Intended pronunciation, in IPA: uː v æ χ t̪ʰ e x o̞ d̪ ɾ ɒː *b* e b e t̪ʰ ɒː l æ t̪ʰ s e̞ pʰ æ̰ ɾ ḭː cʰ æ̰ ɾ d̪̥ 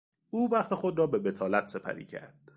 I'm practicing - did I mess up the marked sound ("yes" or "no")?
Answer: no